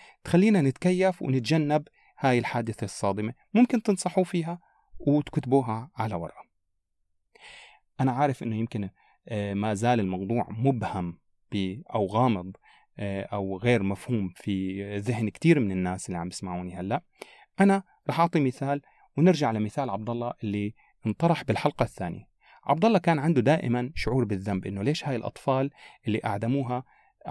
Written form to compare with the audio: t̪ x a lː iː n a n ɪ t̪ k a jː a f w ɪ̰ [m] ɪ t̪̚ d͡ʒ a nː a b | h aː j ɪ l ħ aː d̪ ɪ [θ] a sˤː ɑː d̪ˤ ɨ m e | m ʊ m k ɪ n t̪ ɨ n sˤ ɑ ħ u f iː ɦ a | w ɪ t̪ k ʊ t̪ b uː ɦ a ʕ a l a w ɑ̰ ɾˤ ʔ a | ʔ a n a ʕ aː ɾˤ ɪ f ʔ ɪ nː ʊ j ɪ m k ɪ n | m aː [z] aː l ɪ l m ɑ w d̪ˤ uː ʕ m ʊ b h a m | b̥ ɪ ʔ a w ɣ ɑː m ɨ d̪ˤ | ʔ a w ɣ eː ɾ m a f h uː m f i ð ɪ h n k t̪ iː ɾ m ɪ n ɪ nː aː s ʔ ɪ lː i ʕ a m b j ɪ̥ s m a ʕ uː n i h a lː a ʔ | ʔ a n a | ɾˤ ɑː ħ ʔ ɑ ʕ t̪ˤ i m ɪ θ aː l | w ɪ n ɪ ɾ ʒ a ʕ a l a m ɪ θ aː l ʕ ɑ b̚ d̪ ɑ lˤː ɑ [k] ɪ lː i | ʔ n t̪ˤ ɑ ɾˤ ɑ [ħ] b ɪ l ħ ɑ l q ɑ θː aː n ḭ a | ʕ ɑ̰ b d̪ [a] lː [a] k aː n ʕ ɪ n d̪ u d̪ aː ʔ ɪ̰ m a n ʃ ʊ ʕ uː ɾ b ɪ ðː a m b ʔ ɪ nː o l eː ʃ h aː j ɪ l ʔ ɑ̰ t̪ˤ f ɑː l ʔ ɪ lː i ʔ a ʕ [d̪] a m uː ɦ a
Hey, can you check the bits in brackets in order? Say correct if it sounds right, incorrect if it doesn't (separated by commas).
incorrect, correct, correct, incorrect, correct, incorrect, incorrect, correct